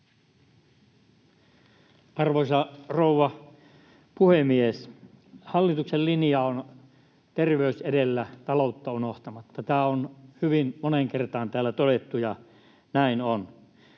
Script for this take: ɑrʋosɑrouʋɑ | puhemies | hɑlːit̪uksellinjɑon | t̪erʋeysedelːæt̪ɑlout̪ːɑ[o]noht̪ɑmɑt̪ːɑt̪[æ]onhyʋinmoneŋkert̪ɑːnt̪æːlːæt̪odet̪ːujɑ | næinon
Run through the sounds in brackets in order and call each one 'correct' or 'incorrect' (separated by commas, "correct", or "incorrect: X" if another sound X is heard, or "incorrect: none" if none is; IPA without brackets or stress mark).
incorrect: u, incorrect: æː